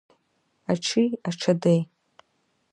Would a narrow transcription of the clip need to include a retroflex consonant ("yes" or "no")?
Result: yes